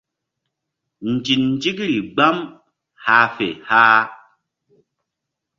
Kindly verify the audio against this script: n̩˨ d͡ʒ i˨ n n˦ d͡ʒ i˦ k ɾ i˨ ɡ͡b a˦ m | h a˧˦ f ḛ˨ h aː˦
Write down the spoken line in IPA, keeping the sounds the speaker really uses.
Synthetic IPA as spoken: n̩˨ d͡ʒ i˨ n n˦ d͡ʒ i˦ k ɾ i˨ ɡ͡b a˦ m | h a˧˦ f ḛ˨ h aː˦